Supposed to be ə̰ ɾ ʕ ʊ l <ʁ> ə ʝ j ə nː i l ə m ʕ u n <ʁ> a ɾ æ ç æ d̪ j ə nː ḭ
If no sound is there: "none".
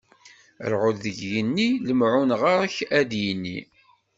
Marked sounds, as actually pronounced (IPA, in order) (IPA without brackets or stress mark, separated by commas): ð, ʁ